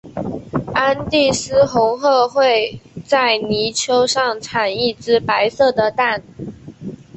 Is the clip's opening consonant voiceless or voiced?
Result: voiced